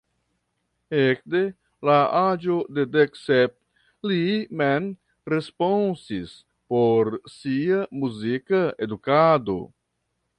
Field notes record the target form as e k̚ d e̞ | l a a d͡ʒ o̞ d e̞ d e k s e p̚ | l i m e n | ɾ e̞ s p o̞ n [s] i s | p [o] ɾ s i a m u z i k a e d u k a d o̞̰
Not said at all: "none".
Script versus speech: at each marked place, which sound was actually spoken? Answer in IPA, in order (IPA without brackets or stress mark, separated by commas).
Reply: s, o